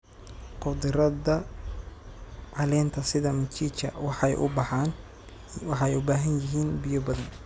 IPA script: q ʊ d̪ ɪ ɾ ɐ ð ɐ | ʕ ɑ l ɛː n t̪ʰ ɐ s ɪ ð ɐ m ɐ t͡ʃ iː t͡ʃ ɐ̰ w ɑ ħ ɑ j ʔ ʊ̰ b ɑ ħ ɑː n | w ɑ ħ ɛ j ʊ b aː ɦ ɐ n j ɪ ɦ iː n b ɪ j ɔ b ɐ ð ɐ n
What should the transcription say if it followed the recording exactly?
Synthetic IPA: q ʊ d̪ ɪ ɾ ɐ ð ɐ | ʕ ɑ l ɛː n t̪ʰ ɐ s ɪ ð ɐ m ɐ t͡ʃ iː t͡ʃ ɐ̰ w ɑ ħ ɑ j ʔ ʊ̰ b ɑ ħ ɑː n | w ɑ ħ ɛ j ʊ b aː ɦ ɐ n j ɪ ɦ iː n b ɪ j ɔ b ɐ ð ɐ n